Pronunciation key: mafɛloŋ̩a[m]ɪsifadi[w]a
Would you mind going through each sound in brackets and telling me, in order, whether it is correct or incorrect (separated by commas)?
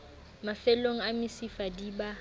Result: correct, incorrect